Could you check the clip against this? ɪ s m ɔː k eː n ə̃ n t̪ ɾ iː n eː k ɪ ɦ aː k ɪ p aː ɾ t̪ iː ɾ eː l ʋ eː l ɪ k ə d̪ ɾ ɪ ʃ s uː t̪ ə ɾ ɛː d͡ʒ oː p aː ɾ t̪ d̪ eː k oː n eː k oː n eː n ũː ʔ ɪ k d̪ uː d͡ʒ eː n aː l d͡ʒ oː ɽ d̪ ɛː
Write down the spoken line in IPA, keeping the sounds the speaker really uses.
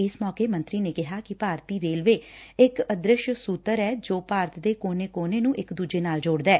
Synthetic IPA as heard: ɪ s m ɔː k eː m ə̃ n t̪ ɾ iː n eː k ɪ ɦ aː k ɪ p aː ɾ t̪ iː ɾ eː l ʋ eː ɪ k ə d̪ ɾ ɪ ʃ s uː t̪ ə ɾ ɛː d͡ʒ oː p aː ɾ t̪ d̪ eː k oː n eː k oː n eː n ũː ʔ ɪ k d̪ uː d͡ʒ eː n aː l d͡ʒ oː ɽ d̪ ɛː